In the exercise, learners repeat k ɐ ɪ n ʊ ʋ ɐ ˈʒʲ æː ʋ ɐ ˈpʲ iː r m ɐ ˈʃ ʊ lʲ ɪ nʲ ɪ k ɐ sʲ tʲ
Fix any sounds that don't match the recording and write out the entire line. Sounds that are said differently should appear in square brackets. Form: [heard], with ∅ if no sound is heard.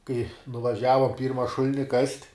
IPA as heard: k ɐ ɪ n ʊ ʋ ɐ ˈʒʲ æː ʋ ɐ ˈpʲ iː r m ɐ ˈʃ ʊ lʲ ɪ nʲ ɪ k ɐ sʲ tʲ

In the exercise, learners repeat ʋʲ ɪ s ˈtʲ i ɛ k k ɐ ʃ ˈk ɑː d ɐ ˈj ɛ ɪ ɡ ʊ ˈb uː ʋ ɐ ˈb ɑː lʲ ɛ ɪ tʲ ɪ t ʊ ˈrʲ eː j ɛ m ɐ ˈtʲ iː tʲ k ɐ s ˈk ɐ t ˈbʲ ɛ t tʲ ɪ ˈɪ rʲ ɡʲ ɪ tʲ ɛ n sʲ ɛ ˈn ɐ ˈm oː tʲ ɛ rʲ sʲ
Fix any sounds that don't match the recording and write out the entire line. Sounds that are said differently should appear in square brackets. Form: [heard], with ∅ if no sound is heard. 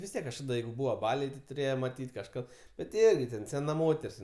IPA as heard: ʋʲ ɪ s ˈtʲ i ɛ k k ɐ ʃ ˈk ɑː d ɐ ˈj ɛ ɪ ɡ ʊ ˈb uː ʋ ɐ ˈb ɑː lʲ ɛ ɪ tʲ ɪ t ʊ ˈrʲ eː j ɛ m ɐ ˈtʲ iː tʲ k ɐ [ʃ] ˈk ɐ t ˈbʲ ɛ t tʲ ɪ ˈɪ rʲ ɡʲ ɪ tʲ ɛ n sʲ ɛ ˈn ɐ ˈm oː tʲ ɛ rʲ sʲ

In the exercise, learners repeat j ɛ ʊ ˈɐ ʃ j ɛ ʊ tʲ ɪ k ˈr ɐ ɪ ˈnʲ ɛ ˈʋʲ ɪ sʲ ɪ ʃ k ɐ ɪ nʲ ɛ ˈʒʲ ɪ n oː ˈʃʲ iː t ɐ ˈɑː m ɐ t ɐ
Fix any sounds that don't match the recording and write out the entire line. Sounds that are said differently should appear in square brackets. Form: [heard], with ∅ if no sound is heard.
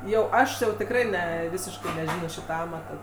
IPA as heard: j ɛ ʊ ˈɐ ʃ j ɛ ʊ tʲ ɪ k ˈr ɐ ɪ ˈnʲ ɛ ˈʋʲ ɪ sʲ ɪ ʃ k ɐ ɪ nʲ ɛ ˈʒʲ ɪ n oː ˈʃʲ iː t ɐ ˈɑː m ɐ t ɐ

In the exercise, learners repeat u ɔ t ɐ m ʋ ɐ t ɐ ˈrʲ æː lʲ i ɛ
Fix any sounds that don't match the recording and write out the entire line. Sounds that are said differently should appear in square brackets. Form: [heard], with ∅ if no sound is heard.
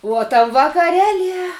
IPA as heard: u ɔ t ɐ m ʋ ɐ [k] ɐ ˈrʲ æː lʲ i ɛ

